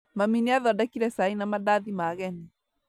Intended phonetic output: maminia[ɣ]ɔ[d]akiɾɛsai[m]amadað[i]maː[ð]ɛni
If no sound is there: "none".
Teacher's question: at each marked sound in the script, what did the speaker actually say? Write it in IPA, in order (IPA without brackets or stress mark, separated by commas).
ð, d, n, i, ɣ